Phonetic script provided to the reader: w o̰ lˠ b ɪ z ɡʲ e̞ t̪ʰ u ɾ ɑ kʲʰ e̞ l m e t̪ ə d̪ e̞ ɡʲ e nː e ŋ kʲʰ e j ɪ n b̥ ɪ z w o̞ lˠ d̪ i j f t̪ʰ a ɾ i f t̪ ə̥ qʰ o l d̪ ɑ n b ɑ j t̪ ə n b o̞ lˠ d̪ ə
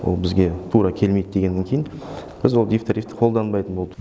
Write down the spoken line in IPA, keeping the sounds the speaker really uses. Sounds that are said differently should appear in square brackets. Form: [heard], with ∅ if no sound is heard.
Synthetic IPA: w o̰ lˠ b ɪ z ɡʲ e̞ t̪ʰ u ɾ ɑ kʲʰ e̞ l m e [d̪] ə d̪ e̞ ɡʲ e nː e ŋ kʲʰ e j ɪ n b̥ ɪ z w o̞ lˠ d̪ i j f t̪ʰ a ɾ i f t̪ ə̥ qʰ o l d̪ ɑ n b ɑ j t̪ ə n b o̞ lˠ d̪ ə